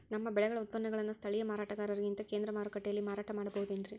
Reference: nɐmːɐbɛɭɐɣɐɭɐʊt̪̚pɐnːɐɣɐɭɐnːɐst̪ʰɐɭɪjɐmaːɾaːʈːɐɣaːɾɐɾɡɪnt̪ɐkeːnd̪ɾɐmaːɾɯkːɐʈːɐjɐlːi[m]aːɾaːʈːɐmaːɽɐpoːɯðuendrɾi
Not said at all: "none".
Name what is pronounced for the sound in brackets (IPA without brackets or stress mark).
m